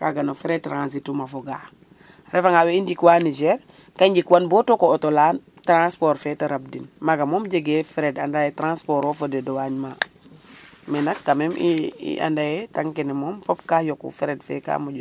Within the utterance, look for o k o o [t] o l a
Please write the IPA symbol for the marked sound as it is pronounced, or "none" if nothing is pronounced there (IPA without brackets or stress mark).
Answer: t